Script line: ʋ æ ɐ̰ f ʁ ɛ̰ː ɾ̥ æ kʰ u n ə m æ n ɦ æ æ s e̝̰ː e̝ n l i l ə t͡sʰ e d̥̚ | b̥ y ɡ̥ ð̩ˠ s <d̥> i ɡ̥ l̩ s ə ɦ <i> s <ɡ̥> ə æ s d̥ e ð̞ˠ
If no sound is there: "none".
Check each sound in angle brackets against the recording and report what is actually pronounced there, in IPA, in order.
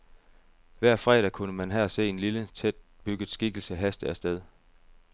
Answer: ɡ̥, æ, d̥

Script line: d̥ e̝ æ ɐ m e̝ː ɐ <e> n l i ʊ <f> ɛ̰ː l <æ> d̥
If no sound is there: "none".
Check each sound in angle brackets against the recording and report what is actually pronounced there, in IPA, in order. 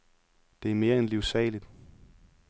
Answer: e, s, i

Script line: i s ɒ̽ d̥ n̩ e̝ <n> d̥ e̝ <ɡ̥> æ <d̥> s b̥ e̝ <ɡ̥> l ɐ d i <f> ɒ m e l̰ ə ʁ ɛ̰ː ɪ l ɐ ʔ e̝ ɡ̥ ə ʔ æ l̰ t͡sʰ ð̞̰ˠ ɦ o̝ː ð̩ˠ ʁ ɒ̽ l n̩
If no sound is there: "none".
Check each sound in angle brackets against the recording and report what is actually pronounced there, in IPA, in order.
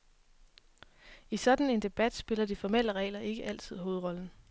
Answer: n, b̥, d̥, none, f

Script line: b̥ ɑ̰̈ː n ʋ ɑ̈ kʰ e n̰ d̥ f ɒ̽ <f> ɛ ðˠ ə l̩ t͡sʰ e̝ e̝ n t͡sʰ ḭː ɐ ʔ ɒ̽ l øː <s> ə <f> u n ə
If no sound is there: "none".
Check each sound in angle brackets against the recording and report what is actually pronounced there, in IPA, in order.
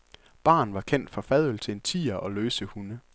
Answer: f, s, h

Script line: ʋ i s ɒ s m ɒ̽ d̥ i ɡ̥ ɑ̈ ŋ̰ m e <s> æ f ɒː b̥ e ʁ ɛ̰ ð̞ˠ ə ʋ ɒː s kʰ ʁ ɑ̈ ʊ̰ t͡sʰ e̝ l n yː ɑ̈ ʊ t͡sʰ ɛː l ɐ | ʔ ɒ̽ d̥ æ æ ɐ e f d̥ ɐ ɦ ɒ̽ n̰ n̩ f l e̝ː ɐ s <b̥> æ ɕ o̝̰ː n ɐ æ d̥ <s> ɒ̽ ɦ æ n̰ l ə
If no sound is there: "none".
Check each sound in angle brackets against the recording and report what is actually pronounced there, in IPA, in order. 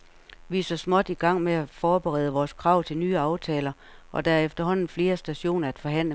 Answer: none, d̥, f

